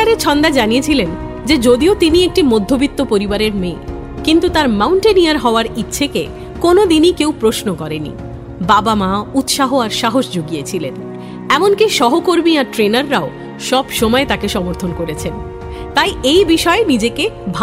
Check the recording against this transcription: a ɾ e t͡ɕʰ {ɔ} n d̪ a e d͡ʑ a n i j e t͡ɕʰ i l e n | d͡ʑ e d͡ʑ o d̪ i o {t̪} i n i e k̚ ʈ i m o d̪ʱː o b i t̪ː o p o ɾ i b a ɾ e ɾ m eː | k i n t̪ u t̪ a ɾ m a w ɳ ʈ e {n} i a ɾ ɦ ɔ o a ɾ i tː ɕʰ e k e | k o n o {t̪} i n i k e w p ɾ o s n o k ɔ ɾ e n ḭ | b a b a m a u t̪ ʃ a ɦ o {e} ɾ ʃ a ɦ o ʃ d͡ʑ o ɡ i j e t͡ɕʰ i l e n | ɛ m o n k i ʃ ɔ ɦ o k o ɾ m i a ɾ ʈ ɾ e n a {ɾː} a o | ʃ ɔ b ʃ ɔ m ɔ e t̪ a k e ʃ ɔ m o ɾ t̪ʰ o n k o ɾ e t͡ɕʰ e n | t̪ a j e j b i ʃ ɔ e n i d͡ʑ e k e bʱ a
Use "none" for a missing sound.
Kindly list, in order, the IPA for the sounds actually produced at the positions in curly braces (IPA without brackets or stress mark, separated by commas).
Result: ɔ, t̪, n, d̪, a, ɾː